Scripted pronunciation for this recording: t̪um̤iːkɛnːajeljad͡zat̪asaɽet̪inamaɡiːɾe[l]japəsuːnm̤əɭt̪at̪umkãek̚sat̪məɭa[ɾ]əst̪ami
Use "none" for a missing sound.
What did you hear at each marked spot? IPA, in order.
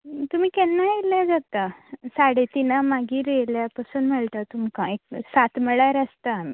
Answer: l, ɾ

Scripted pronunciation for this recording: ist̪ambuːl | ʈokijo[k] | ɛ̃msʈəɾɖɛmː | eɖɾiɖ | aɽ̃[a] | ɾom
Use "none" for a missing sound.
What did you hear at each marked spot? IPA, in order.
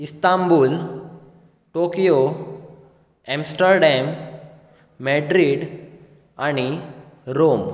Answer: none, i

